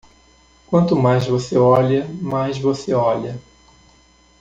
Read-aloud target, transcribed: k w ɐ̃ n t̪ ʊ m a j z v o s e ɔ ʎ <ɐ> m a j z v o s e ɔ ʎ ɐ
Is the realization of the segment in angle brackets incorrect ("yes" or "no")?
no